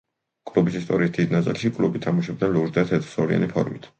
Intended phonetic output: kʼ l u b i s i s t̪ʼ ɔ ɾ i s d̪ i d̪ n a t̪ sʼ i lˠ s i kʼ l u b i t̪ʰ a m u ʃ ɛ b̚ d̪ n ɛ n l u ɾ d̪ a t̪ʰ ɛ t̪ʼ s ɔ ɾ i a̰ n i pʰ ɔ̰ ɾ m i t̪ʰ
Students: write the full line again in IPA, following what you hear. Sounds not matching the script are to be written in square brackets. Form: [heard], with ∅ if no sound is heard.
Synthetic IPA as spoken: kʼ l u b i s i s t̪ʼ ɔ ɾ i s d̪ i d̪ n a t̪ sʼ i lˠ [ʃ] i kʼ l u b i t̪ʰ a m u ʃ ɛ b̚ d̪ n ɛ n l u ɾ d̪ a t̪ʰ ɛ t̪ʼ s ɔ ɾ i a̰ n i pʰ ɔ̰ ɾ m i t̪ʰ